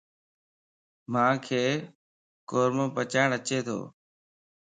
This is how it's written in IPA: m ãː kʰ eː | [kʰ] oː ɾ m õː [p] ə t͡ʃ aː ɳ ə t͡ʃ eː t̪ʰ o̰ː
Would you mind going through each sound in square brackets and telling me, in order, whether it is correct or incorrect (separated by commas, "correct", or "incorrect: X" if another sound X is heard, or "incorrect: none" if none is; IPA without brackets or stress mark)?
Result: incorrect: k, correct